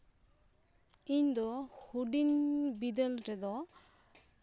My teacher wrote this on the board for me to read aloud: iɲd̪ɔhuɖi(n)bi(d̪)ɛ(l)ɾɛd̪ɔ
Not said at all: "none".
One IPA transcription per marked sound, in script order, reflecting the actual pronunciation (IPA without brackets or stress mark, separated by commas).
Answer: n, d̪, l